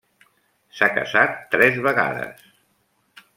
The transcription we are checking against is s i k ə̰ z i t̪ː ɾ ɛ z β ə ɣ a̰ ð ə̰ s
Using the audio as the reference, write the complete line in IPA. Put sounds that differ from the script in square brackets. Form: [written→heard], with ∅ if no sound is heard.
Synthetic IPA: s [i→a] k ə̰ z [i→a] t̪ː ɾ ɛ z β ə ɣ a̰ ð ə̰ s